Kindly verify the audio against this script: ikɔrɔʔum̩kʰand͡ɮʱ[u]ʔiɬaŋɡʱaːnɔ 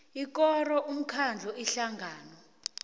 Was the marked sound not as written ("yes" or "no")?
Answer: yes